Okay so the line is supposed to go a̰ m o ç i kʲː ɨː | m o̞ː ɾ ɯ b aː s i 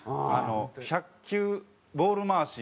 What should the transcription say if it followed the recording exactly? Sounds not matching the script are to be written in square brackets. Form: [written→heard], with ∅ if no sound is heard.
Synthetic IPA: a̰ [m→n] o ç [i→a] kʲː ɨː | [m→b] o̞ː ɾ ɯ [b→m] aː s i